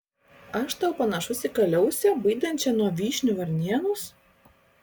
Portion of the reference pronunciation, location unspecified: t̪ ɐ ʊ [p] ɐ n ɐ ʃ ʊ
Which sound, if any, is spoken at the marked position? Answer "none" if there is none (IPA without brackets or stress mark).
p